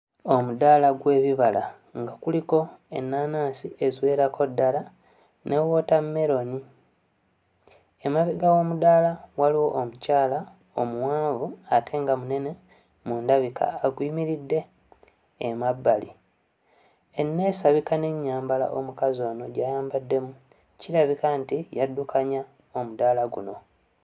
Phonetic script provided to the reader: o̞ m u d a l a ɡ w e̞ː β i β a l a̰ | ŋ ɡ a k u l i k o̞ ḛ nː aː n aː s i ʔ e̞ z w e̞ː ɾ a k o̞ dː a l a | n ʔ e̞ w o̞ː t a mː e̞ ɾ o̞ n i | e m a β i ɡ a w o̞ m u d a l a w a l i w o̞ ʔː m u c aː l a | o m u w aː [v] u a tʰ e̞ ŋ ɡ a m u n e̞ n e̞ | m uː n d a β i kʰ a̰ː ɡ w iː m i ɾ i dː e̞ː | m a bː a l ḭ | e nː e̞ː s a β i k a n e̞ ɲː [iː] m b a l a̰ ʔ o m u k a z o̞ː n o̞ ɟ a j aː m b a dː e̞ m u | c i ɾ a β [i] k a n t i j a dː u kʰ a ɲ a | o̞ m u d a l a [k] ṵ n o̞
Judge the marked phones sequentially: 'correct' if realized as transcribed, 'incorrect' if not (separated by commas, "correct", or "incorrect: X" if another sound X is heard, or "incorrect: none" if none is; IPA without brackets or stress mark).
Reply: correct, incorrect: aː, correct, incorrect: ɡ